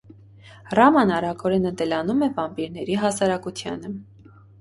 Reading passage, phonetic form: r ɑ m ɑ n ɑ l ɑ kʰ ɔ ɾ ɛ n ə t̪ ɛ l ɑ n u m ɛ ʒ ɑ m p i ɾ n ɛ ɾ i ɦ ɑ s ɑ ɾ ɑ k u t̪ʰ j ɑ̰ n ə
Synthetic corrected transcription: r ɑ m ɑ n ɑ ɾ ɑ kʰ ɔ ɾ ɛ n ə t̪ ɛ l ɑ n u m ɛ v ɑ m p i ɾ n ɛ ɾ i ɦ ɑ s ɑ ɾ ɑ k u t̪ʰ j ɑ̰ n ə